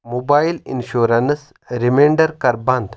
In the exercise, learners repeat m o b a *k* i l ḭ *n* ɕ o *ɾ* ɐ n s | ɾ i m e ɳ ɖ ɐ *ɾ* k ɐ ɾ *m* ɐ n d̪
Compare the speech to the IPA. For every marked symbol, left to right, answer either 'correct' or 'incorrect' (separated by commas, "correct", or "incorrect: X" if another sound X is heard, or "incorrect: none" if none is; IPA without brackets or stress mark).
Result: incorrect: none, correct, correct, correct, incorrect: b